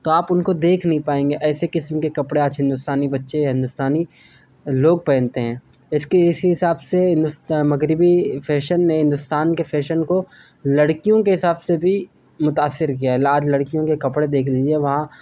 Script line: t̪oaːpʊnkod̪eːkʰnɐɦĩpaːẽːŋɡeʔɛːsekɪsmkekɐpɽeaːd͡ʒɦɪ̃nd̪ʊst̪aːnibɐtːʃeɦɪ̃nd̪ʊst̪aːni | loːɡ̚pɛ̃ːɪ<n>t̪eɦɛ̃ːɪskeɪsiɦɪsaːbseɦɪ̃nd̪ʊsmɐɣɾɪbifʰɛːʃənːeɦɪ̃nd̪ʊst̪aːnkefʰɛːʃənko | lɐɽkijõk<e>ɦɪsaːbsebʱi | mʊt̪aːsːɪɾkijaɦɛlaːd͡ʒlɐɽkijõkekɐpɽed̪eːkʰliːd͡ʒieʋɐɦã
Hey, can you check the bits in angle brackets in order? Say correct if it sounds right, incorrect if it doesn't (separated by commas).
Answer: correct, correct